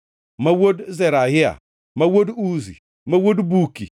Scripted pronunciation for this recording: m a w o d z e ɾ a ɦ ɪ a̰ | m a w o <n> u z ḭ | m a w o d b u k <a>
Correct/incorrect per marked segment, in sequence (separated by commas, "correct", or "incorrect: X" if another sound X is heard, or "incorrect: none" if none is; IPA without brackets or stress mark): incorrect: d, incorrect: i